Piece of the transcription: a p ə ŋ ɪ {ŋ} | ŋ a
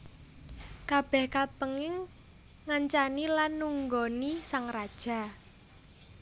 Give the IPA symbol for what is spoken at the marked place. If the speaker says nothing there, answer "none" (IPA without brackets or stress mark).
ŋ